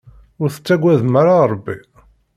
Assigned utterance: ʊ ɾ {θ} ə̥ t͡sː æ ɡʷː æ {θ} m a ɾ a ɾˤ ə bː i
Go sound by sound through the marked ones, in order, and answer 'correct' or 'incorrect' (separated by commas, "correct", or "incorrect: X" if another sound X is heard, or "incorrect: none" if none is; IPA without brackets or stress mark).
correct, incorrect: ð